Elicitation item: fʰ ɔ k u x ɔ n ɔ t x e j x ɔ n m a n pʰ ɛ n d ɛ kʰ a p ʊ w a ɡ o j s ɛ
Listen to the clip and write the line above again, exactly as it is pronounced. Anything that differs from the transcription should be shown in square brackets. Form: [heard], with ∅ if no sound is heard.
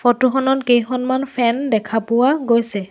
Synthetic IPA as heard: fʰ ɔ [t] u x ɔ n ɔ t [k] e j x ɔ n m a n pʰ ɛ n d ɛ kʰ a p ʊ w a ɡ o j s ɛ